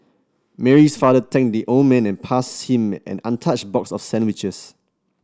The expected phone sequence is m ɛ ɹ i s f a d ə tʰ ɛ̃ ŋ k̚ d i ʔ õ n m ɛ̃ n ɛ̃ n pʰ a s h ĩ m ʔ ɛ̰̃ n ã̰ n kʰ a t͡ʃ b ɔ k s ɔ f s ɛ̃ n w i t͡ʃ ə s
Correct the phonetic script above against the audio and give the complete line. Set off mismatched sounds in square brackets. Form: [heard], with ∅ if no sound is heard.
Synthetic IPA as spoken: m ɛ ɹ i s f a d ə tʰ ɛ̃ ŋ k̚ d i ʔ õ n m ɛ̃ n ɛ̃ n pʰ a s h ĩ m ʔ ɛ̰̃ n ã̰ n [tʰ] a t͡ʃ b ɔ k s ɔ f s ɛ̃ n w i t͡ʃ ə s